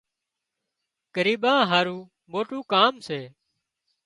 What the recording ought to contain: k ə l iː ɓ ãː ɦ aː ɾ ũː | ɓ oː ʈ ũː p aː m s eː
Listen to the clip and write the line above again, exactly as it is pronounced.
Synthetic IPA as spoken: k ə ɾ iː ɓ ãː ɦ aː ɾ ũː | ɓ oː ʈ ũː k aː m s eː